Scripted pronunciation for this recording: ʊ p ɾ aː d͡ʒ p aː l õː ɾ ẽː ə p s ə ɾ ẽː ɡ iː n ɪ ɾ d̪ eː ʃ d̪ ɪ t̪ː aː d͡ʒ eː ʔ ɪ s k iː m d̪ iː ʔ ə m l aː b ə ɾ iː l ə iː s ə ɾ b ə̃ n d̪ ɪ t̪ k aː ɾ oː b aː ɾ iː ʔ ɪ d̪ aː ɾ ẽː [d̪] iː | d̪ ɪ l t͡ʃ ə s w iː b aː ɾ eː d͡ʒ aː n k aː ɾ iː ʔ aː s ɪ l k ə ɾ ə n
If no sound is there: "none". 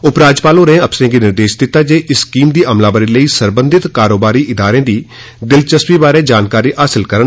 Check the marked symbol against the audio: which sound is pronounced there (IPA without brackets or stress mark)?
d̪